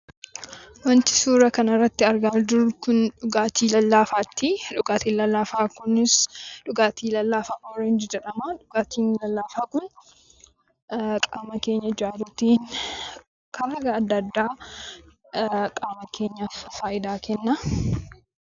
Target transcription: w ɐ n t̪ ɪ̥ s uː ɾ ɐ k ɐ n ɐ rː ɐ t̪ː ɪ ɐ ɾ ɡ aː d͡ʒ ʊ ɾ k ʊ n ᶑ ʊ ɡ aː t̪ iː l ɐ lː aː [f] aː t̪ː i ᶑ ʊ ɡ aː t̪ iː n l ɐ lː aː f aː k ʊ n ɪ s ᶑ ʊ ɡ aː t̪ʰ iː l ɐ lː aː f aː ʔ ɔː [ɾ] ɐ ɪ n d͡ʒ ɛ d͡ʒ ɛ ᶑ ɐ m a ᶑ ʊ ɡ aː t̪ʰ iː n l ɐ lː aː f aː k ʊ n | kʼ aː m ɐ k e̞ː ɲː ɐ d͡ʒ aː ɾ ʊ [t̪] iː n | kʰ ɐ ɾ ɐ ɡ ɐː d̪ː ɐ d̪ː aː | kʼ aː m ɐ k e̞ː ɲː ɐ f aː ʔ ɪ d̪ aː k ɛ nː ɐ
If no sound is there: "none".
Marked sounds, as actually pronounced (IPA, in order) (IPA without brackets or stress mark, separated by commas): f, ɾ, t̪